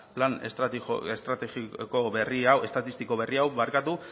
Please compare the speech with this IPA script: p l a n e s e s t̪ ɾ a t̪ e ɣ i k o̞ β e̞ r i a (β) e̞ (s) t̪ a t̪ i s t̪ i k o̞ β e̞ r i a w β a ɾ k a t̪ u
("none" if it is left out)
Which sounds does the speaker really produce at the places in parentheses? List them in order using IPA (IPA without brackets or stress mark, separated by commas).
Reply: w, s